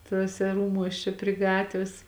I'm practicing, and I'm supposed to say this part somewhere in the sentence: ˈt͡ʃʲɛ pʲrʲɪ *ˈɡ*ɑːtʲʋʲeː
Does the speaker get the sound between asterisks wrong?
no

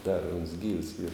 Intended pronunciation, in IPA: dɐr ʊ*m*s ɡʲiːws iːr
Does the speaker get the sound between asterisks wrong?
yes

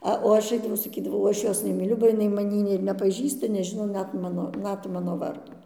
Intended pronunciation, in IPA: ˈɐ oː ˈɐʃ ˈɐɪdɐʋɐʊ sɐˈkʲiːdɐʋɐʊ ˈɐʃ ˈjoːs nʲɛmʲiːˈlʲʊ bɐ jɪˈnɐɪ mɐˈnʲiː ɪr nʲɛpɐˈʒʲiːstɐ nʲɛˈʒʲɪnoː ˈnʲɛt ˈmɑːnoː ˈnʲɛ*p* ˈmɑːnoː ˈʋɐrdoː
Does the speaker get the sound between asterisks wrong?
yes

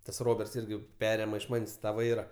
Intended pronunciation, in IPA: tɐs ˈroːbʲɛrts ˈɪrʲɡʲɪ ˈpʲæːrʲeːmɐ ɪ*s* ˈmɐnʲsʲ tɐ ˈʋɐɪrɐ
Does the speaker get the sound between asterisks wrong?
yes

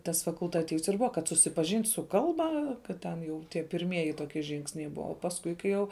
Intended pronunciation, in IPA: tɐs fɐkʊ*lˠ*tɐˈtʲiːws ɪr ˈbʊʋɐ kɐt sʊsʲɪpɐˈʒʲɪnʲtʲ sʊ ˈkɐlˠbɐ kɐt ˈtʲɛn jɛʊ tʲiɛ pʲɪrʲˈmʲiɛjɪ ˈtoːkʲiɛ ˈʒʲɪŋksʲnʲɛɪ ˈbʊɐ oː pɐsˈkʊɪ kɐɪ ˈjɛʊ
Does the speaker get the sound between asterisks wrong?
no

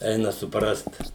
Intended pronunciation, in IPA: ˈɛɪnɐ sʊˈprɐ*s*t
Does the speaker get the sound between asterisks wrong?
no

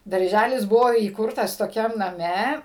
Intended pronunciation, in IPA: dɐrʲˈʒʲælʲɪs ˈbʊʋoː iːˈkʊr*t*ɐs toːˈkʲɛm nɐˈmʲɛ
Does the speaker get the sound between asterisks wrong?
no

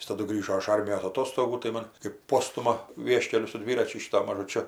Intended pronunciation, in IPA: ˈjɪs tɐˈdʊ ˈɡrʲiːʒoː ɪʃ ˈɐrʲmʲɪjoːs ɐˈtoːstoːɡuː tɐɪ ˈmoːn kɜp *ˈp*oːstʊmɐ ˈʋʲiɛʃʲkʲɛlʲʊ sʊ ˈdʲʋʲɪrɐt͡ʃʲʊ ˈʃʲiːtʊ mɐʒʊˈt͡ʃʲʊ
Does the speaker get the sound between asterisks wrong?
no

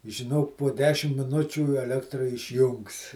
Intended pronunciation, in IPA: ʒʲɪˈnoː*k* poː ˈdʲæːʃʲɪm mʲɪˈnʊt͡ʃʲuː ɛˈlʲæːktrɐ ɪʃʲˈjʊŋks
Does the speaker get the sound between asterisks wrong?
no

